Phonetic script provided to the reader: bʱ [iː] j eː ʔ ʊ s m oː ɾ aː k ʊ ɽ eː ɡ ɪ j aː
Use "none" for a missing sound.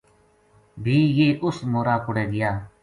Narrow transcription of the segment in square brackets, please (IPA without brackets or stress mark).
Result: iː